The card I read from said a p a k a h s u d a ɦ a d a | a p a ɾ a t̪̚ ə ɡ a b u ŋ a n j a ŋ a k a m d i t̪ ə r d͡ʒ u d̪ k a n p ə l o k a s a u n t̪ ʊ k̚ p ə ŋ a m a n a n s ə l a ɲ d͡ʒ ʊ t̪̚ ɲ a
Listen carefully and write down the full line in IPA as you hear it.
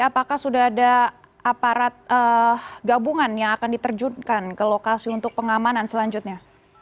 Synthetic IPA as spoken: a p a k a h s u d a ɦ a d a | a p a ɾ a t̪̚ ə ɡ a b u ŋ a n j a ŋ a k a n d i t̪ ə r d͡ʒ u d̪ k a n k ə l o k a s i u n t̪ ʊ k̚ p ə ŋ a m a n a n s ə l a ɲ d͡ʒ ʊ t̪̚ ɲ a